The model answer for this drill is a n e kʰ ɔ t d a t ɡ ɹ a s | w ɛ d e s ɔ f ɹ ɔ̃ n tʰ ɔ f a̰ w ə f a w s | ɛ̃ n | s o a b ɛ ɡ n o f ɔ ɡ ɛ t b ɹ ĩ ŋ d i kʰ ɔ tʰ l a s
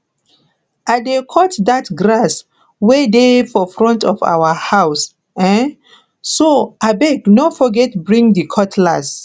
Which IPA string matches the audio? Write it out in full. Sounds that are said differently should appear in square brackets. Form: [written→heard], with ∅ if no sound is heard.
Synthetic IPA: a [n→d] e kʰ ɔ t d a t ɡ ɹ a s | w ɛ d e [s→f] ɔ f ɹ ɔ̃ n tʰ ɔ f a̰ w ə [f→h] a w s | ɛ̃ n | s o a b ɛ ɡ n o f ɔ ɡ ɛ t b ɹ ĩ ŋ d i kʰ ɔ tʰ l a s